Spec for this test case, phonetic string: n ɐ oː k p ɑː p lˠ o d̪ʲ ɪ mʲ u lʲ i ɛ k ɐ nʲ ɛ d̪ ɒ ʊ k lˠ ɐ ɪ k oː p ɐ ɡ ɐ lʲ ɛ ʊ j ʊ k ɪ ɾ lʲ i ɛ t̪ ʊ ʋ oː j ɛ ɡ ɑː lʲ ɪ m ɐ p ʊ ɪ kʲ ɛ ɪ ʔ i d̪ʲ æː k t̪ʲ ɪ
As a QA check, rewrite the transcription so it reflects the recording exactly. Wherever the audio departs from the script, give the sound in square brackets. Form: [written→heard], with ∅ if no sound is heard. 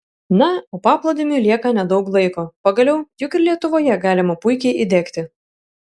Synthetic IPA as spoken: n ɐ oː [k→∅] p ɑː p lˠ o d̪ʲ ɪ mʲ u lʲ i ɛ k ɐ nʲ ɛ d̪ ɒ ʊ k lˠ ɐ ɪ k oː p ɐ ɡ ɐ lʲ ɛ ʊ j ʊ k ɪ ɾ lʲ i ɛ t̪ ʊ ʋ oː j ɛ ɡ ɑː lʲ ɪ m ɐ p ʊ ɪ kʲ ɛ ɪ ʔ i d̪ʲ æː k t̪ʲ ɪ